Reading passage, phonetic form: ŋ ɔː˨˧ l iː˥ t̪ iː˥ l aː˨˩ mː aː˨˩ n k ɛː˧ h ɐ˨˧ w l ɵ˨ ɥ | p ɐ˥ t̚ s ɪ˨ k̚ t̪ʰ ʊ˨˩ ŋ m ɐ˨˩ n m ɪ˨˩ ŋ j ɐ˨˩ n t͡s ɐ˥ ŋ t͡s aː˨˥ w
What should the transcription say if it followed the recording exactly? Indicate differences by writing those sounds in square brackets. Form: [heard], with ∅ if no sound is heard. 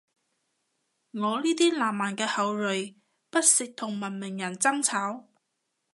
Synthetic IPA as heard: ŋ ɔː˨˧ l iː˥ t̪ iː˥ l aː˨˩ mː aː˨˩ n k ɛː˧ h ɐ˨˧ w l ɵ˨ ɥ | p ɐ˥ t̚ s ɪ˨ k̚ t̪ʰ ʊ˨˩ ŋ m ɐ˨˩ n m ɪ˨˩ ŋ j ɐ˨˩ n t͡s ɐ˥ ŋ [t͡sʰ] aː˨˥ w